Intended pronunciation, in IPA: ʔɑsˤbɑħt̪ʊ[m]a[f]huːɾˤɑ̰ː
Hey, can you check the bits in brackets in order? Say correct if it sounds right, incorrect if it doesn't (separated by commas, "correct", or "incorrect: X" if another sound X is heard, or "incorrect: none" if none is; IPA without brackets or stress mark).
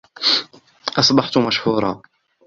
correct, incorrect: ʃ